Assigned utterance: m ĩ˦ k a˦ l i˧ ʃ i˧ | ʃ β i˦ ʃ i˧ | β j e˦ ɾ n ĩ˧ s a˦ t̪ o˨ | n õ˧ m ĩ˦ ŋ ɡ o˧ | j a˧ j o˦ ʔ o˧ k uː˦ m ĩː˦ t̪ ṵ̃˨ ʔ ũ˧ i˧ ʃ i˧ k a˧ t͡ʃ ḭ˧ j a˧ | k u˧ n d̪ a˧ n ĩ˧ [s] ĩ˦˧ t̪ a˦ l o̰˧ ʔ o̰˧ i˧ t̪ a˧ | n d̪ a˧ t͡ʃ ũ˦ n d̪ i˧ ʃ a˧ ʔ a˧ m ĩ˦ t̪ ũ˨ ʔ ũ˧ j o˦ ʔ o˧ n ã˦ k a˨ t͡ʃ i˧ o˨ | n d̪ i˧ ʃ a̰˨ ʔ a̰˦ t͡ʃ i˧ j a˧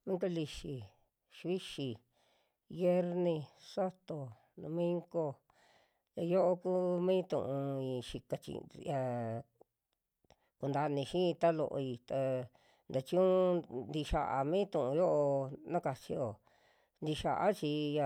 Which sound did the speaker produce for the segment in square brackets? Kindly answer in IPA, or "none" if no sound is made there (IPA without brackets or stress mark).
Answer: ʃ